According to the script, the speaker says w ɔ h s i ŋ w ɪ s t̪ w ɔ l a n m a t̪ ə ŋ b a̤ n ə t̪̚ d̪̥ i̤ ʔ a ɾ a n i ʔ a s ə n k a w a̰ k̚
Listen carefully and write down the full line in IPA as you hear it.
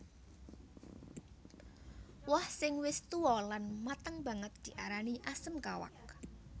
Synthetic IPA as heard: w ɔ h s ɪ ŋ w ɪ s t̪ u ɔ l a n m a t̪ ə ŋ b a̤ ŋ ə t̪̚ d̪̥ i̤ ʔ a ɾ a n i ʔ a s ə m k a w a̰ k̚